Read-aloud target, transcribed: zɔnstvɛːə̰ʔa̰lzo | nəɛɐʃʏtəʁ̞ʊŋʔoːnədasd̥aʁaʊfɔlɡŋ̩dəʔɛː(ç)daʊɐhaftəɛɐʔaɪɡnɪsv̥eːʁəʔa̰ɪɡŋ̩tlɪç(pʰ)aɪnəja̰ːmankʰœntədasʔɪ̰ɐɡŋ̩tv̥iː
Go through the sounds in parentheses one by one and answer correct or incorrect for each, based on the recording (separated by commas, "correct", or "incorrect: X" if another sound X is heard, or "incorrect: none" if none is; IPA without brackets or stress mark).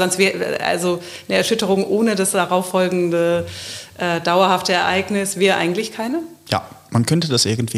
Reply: incorrect: none, incorrect: kʰ